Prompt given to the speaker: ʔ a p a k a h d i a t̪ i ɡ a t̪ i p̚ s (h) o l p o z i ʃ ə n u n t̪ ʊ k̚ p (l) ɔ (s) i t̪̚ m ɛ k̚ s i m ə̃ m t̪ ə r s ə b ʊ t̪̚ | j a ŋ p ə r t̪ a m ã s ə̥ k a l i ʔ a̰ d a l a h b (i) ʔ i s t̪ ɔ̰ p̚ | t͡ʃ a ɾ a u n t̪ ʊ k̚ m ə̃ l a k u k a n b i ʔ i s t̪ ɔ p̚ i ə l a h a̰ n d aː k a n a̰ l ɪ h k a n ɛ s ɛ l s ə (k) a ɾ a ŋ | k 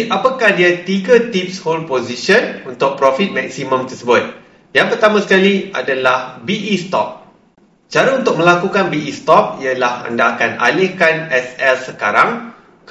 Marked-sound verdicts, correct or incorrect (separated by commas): correct, incorrect, incorrect, correct, correct